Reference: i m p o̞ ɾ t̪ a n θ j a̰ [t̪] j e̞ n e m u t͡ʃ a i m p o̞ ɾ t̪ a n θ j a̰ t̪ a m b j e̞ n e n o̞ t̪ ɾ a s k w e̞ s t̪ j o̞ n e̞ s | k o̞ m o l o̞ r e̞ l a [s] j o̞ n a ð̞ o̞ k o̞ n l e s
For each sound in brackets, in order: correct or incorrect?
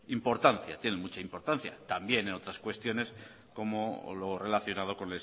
correct, incorrect

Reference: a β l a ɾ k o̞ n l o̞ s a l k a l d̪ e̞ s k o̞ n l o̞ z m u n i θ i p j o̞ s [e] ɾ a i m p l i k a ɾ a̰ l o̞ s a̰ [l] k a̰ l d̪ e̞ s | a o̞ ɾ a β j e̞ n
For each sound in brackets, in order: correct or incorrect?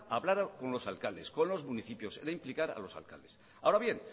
correct, correct

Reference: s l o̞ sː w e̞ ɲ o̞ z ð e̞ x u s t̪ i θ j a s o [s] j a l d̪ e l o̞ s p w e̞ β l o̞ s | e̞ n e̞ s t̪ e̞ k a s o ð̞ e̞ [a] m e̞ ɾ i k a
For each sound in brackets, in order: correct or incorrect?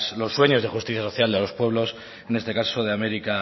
incorrect, correct

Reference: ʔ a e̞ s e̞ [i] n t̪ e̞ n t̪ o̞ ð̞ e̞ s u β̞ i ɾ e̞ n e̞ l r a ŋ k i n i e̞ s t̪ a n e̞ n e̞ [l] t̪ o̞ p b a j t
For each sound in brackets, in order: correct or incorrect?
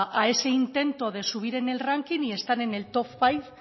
correct, correct

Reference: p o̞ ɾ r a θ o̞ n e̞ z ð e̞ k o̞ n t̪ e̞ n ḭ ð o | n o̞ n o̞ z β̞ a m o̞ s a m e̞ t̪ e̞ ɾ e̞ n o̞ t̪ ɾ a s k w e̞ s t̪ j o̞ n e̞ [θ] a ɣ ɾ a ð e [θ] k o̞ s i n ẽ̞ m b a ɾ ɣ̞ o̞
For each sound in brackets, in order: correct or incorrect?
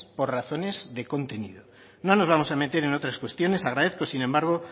incorrect, correct

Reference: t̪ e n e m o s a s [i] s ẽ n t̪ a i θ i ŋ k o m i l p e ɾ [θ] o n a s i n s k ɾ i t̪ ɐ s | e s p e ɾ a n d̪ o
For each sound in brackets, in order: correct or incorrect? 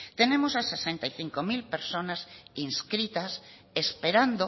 incorrect, incorrect

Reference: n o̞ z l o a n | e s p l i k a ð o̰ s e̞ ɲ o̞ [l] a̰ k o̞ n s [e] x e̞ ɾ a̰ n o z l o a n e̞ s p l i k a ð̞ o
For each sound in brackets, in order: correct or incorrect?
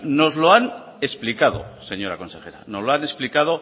incorrect, correct

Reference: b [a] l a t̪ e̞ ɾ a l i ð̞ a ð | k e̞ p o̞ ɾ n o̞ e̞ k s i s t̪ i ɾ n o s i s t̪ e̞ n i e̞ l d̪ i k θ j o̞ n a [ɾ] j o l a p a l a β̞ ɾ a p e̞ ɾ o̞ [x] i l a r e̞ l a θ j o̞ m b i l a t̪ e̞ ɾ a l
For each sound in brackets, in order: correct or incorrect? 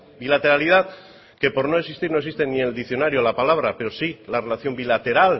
incorrect, correct, incorrect

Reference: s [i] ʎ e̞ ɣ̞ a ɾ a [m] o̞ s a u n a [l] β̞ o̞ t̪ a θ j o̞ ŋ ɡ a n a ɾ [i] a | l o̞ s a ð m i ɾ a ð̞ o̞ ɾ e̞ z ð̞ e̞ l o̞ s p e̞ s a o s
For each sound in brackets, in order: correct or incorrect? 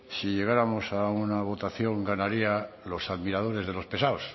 correct, correct, incorrect, correct

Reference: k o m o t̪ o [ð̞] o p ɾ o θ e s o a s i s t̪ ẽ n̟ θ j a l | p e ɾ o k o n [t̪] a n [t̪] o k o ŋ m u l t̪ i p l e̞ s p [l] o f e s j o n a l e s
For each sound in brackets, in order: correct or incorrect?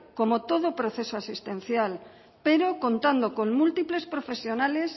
correct, correct, incorrect, incorrect

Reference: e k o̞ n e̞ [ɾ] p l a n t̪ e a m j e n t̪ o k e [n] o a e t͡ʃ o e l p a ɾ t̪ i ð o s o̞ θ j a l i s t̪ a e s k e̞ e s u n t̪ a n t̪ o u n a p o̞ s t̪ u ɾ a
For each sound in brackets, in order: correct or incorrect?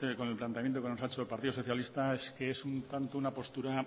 incorrect, correct

